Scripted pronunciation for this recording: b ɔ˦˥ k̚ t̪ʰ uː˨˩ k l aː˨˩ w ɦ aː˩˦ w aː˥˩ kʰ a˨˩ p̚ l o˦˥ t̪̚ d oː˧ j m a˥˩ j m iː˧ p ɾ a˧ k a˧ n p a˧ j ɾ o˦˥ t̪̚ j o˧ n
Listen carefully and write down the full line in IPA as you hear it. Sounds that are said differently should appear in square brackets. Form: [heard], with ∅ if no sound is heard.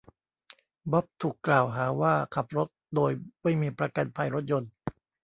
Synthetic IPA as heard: b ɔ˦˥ [p̚] t̪ʰ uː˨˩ k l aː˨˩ w ɦ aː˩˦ w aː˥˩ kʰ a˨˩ p̚ [ɾ] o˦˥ t̪̚ d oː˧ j m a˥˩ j m iː˧ p ɾ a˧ k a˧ n [pʰ] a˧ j ɾ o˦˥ t̪̚ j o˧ n